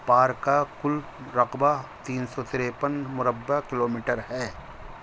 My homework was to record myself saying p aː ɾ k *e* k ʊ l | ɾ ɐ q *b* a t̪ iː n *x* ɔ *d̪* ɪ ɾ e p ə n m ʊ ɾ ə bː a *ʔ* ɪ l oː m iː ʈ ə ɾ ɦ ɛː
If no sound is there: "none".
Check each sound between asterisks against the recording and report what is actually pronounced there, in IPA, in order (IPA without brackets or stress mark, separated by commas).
a, b, s, t̪, k